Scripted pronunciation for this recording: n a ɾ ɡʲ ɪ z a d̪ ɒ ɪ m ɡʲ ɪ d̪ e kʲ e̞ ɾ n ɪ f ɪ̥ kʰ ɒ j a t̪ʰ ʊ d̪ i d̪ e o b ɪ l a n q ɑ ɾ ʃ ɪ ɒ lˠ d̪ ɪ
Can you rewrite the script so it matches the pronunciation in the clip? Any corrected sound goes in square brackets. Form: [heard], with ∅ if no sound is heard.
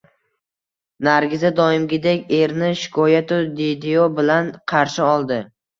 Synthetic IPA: n a ɾ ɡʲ ɪ z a d̪ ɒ ɪ m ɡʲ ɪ d̪ e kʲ e̞ ɾ n ɪ [ʃ] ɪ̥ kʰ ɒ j a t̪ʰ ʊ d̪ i d̪ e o b ɪ l a n [qʰ] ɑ ɾ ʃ ɪ ɒ lˠ d̪ ɪ